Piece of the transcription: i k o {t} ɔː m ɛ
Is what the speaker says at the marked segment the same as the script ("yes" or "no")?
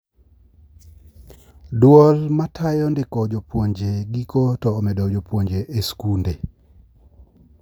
yes